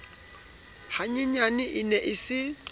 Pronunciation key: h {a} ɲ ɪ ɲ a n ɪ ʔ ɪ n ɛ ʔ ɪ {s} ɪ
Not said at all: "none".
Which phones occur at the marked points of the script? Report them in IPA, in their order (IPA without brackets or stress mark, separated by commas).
a, s